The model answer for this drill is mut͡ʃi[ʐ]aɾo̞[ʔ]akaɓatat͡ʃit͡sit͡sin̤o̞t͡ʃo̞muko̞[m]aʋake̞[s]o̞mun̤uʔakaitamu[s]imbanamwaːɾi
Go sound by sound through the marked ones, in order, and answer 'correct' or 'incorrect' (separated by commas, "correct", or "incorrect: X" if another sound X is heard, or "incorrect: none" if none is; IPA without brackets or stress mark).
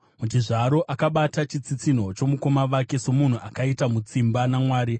correct, correct, correct, correct, incorrect: t͡s